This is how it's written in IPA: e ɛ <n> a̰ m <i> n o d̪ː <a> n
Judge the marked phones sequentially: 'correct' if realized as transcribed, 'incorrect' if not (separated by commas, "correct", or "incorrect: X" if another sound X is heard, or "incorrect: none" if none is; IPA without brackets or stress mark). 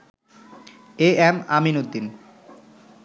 incorrect: m, correct, incorrect: i